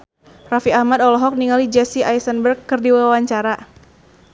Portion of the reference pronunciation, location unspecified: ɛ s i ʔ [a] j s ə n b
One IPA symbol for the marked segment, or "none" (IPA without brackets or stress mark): a